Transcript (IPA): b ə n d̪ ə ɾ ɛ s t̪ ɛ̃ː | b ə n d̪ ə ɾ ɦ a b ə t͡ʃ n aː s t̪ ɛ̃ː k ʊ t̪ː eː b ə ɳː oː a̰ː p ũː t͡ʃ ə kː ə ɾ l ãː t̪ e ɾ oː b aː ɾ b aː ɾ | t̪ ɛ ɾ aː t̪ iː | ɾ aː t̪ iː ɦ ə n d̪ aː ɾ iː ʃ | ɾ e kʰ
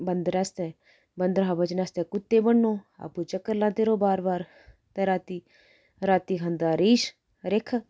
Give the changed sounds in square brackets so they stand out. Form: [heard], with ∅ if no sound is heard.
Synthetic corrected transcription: b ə n d̪ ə ɾ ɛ s t̪ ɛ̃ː | b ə n d̪ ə ɾ ɦ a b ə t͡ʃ n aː s t̪ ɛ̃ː k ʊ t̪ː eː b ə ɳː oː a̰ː p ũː t͡ʃ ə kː ə ɾ l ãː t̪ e ɾ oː b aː ɾ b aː ɾ | t̪ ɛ ɾ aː t̪ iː | ɾ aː t̪ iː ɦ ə n d̪ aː ɾ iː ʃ | ɾ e kʰ